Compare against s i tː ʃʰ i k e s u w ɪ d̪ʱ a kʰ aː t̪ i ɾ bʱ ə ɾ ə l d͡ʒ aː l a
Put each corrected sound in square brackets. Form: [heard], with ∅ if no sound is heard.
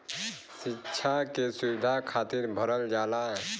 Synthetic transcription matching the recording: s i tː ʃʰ [a] k e s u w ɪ d̪ʱ a kʰ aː t̪ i ɾ bʱ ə ɾ ə l d͡ʒ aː l a